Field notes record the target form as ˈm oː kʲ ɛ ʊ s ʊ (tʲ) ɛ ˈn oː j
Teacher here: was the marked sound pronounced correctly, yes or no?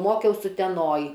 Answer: yes